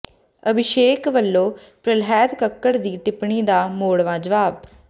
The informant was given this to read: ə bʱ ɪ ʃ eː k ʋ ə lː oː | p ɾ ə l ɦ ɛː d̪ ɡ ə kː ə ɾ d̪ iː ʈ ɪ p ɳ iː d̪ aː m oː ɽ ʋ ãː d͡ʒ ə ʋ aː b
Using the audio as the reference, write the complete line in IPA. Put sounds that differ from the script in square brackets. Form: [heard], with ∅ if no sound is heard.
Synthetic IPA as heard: ə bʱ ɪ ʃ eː k ʋ ə lː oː | p ɾ ə l ɦ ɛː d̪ [k] ə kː ə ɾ d̪ iː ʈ ɪ p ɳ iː d̪ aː m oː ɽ ʋ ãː d͡ʒ ə ʋ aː b